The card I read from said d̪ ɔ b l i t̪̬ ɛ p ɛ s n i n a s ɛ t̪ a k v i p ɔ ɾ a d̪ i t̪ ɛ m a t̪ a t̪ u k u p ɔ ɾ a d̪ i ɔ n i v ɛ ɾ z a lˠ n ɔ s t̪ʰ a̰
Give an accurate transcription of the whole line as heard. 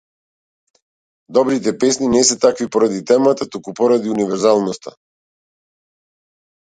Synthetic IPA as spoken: d̪ ɔ b ɾ i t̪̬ ɛ p ɛ s n i n ɛ s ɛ t̪ a k v i p ɔ ɾ a d̪ i t̪ ɛ m a t̪ a t̪ u k u p ɔ ɾ a d̪ i u n i v ɛ ɾ z a lˠ n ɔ s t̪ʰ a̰